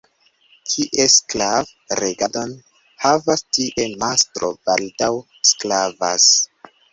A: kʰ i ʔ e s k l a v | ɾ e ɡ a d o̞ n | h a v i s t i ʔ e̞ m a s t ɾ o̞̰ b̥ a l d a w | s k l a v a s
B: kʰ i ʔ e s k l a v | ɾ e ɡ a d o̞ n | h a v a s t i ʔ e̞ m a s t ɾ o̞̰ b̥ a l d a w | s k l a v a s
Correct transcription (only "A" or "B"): B